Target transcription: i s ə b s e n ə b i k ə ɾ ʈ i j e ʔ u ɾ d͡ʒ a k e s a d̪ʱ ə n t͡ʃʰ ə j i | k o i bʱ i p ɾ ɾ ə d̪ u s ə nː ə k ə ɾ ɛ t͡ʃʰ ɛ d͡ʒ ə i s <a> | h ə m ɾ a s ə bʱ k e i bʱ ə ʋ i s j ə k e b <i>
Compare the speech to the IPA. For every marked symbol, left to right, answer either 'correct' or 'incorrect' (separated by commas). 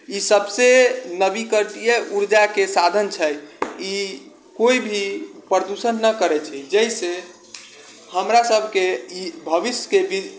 incorrect, correct